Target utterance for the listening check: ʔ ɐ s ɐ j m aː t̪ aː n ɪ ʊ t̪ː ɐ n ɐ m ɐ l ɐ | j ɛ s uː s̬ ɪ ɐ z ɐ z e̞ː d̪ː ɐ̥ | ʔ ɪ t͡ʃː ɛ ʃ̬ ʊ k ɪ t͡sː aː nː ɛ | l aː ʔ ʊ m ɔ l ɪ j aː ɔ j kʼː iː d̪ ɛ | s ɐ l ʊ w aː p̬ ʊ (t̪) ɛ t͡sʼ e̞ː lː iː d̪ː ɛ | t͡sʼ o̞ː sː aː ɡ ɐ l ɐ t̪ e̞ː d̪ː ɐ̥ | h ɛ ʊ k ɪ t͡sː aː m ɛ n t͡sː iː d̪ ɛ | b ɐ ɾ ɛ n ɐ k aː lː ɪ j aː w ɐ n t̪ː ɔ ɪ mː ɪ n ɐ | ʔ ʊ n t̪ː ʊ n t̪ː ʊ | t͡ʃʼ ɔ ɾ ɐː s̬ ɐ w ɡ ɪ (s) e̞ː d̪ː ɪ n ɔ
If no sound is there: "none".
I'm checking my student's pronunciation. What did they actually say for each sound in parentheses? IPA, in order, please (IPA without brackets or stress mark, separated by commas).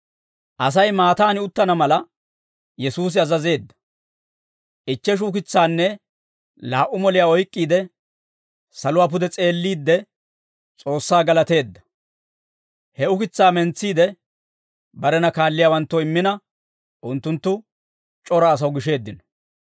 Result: d̪, ʃ